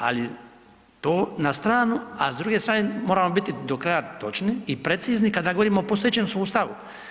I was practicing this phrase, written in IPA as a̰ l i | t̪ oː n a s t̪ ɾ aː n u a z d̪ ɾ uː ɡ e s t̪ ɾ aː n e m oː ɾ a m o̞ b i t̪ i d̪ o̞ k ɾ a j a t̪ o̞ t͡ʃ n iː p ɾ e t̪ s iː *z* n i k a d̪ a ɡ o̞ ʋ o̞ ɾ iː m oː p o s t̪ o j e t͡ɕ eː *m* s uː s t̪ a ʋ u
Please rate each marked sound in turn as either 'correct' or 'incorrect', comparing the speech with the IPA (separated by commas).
correct, correct